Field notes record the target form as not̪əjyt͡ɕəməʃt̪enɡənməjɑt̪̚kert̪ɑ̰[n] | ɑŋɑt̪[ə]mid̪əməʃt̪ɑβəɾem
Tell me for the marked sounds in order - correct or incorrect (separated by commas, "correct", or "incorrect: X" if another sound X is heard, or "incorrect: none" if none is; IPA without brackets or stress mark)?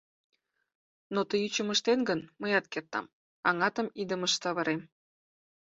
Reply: incorrect: m, correct